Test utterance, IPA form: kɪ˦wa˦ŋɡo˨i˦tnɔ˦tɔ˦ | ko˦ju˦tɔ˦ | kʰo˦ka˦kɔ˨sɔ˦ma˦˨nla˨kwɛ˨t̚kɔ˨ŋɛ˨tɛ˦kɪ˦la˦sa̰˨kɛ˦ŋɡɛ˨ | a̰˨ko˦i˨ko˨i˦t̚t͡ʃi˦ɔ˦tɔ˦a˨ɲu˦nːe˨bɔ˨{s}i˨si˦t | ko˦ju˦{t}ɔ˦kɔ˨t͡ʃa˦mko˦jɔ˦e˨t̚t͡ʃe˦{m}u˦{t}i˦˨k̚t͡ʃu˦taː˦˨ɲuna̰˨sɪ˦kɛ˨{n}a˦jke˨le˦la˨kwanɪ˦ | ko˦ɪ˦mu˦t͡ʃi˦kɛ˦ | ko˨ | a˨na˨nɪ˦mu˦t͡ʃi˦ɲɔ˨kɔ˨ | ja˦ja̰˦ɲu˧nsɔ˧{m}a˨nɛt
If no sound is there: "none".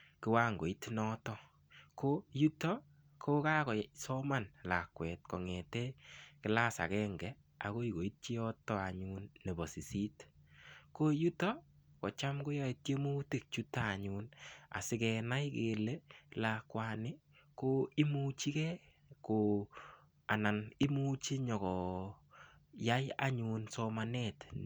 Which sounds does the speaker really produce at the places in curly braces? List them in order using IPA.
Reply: s, t, m, t, n, m

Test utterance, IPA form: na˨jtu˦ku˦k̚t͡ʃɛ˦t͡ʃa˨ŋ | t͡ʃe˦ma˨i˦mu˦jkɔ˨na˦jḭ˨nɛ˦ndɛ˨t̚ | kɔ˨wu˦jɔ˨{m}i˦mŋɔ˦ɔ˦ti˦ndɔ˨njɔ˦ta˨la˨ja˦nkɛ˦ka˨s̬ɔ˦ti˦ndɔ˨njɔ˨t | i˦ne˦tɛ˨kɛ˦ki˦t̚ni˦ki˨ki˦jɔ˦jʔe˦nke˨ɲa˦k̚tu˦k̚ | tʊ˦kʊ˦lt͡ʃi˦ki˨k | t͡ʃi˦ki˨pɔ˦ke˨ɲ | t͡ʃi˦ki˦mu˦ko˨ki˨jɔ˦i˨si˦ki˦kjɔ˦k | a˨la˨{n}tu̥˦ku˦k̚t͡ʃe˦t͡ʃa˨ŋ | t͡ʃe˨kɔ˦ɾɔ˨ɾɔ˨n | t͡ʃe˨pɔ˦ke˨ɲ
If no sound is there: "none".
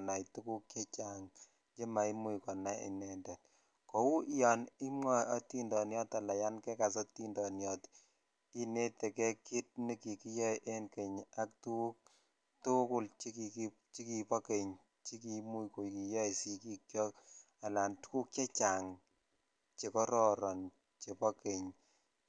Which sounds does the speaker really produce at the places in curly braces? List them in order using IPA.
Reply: n, n

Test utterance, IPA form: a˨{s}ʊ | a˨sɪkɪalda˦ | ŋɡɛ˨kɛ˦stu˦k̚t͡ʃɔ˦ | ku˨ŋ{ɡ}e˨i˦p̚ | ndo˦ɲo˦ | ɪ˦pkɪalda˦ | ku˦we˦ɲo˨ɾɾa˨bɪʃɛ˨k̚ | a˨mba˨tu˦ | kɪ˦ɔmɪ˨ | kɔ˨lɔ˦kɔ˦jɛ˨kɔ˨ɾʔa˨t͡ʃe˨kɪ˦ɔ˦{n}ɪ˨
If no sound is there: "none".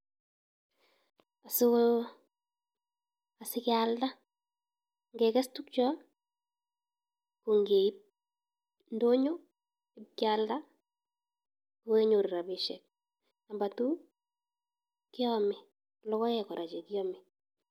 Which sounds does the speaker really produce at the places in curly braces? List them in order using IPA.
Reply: s, ɡ, m

